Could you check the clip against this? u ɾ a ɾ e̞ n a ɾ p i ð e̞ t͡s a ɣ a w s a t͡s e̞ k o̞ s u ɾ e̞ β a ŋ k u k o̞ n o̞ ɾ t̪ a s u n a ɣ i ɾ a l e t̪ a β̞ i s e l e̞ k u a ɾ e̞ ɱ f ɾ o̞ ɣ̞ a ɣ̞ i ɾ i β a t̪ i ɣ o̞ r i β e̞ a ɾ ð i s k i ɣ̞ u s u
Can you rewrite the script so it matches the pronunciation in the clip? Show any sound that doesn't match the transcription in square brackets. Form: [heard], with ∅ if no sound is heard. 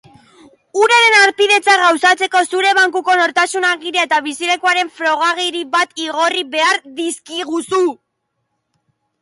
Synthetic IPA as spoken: u ɾ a ɾ e̞ n a ɾ p i ð e̞ t͡s a ɣ a w s a t͡s e̞ k o̞ s u ɾ e̞ β a ŋ k u k o̞ n o̞ ɾ t̪ a s u n a ɣ i ɾ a [∅] e t̪ a β̞ i s [i] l e̞ k u a ɾ e̞ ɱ f ɾ o̞ ɣ̞ a ɣ̞ i ɾ i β a t̪ i ɣ o̞ r i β e̞ a ɾ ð i s k i ɣ̞ u s u

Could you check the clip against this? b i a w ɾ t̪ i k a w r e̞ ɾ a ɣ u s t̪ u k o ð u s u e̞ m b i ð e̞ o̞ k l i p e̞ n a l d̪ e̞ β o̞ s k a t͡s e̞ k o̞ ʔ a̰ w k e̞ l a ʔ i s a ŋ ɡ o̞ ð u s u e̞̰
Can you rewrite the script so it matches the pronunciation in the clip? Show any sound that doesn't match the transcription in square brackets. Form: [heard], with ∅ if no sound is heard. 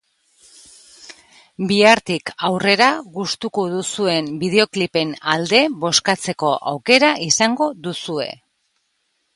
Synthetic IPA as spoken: b i a [∅] ɾ t̪ i k a w r e̞ ɾ a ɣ u s t̪ u k o ð u s u e̞ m b i ð e̞ o̞ k l i p e̞ n a l d̪ e̞ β o̞ s k a t͡s e̞ k o̞ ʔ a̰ w k e̞ [ɾ] a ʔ i s a ŋ ɡ o̞ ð u s u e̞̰

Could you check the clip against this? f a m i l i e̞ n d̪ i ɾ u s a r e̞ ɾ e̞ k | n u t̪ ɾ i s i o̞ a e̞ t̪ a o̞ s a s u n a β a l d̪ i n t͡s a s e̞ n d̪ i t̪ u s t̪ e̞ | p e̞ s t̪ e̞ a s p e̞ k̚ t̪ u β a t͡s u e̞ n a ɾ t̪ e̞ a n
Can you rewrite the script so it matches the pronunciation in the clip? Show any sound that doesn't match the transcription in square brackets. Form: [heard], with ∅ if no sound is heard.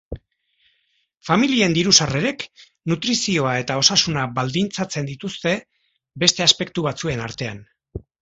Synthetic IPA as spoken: f a m i l i e̞ n d̪ i ɾ u s a r e̞ ɾ e̞ k | n u t̪ ɾ i s i o̞ a e̞ t̪ a o̞ s a s u n a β a l d̪ i n t͡s a [t͡s] e̞ n d̪ i t̪ u s t̪ e̞ | [b] e̞ s t̪ e̞ a s p e̞ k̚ t̪ u β a t͡s u e̞ n a ɾ t̪ e̞ a n

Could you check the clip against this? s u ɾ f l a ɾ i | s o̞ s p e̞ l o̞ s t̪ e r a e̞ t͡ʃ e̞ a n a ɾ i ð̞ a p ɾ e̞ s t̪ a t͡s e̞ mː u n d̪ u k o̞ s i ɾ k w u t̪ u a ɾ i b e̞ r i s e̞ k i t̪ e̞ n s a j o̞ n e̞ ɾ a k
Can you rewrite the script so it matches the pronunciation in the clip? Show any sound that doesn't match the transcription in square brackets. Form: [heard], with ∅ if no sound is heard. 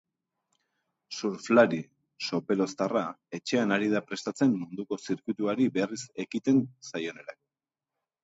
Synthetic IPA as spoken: s u ɾ f l a ɾ i | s o̞ [∅] p e̞ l o̞ s t̪ [a] r a e̞ t͡ʃ e̞ a n a ɾ i ð̞ a p ɾ e̞ s t̪ a t͡s e̞ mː u n d̪ u k o̞ s i ɾ k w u t̪ u a ɾ i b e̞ r i s e̞ k i t̪ e̞ n s a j o̞ n e̞ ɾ a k

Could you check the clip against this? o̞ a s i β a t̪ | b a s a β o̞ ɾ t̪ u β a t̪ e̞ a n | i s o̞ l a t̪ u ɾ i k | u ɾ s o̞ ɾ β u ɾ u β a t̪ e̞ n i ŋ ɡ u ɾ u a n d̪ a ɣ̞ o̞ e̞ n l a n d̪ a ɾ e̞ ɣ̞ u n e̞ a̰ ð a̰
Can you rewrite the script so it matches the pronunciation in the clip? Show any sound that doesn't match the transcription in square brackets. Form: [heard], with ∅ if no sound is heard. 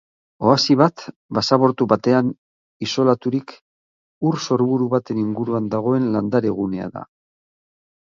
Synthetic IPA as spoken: o̞ a s i β a t̪ | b a s a β o̞ ɾ t̪ u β a t̪ e̞ a n | i s o̞ l a t̪ u ɾ i k | u ɾ s o̞ ɾ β u ɾ u β a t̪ e̞ n i ŋ ɡ u ɾ u a n d̪ a ɣ̞ o̞ e̞ n l a n d̪ a ɾ e̞ ɣ̞ u n e̞ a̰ ð a̰

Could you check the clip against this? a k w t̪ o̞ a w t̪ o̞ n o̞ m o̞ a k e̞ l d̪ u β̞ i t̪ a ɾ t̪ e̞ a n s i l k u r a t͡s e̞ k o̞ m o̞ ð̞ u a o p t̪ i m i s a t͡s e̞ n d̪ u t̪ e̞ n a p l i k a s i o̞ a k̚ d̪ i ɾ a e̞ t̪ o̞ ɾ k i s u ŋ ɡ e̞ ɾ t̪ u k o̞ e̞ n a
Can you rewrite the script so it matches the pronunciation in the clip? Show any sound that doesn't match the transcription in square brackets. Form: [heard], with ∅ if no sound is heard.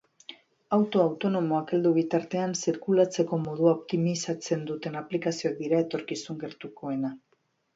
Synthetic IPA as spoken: a [∅] w t̪ o̞ a w t̪ o̞ n o̞ m o̞ a k e̞ l d̪ u β̞ i t̪ a ɾ t̪ e̞ a n s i [ɾ] k u [l] a t͡s e̞ k o̞ m o̞ ð̞ u a o p t̪ i m i s a t͡s e̞ n d̪ u t̪ e̞ n a p l i k a s i o̞ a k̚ d̪ i ɾ a e̞ t̪ o̞ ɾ k i s u ŋ ɡ e̞ ɾ t̪ u k o̞ e̞ n a

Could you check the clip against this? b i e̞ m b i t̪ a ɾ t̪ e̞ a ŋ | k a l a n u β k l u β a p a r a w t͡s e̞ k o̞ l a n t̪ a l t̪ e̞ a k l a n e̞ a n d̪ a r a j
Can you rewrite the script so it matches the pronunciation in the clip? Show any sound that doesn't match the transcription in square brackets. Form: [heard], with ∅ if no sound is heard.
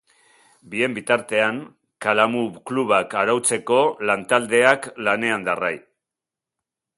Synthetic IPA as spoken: b i e̞ m b i t̪ a ɾ t̪ e̞ a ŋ | k a l a [m] u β k l u β a [k] a [ɾ] a w t͡s e̞ k o̞ l a n t̪ a l [d̪] e̞ a k l a n e̞ a n d̪ a r a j

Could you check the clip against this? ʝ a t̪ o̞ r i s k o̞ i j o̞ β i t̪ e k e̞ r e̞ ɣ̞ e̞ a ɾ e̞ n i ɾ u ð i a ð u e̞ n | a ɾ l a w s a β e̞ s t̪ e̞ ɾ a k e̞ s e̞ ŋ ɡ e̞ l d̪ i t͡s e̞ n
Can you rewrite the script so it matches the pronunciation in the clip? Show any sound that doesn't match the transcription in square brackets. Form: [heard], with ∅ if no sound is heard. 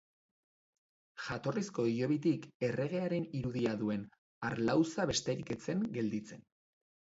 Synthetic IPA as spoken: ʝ a t̪ o̞ r i s k o̞ i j o̞ β i t̪ [i] k e̞ r e̞ ɣ̞ e̞ a ɾ e̞ n i ɾ u ð i a ð u e̞ n | a ɾ l a w s a β e̞ s t̪ e̞ ɾ [i] k e̞ [t͡s] e̞ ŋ ɡ e̞ l d̪ i t͡s e̞ n

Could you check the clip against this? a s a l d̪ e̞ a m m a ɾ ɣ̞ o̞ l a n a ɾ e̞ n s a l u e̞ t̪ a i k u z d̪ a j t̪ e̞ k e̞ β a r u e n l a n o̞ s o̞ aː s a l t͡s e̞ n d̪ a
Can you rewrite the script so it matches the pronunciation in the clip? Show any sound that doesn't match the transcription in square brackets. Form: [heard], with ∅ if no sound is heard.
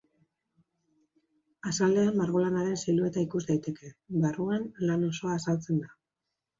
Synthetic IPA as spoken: a s a l d̪ e̞ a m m a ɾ ɣ̞ o̞ l a n a ɾ e̞ n s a l u e̞ t̪ a i k u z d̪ a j t̪ e̞ k e̞ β a r u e n l a n o̞ s o̞ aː s a l t͡s e̞ n d̪ a

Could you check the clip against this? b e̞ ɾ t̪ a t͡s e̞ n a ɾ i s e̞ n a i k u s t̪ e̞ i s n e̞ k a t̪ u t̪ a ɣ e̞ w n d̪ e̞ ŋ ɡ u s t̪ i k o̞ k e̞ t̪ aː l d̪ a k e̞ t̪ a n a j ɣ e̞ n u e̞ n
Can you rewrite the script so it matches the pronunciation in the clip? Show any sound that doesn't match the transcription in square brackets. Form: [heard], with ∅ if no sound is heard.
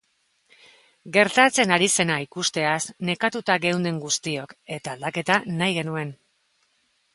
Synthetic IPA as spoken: [ɡ] e̞ ɾ t̪ a t͡s e̞ n a ɾ i s e̞ n a i k u s t̪ e̞ [a] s n e̞ k a t̪ u t̪ a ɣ e̞ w n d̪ e̞ ŋ ɡ u s t̪ i [∅] o̞ k e̞ t̪ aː l d̪ a k e̞ t̪ a n a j ɣ e̞ n u e̞ n

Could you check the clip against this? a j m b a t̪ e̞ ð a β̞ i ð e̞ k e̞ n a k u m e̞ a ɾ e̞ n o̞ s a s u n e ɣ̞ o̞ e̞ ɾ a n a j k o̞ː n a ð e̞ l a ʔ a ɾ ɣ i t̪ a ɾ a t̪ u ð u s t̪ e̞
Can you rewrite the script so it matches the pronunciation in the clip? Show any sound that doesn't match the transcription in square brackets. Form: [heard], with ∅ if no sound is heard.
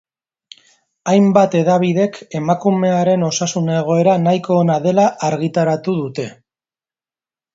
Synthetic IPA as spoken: a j m b a t̪ e̞ ð a β̞ i ð e̞ k e̞ [m] a k u m e̞ a ɾ e̞ n o̞ s a s u n e ɣ̞ o̞ e̞ ɾ a n a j k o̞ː n a ð e̞ l a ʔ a ɾ ɣ i t̪ a ɾ a t̪ u ð u [∅] t̪ e̞

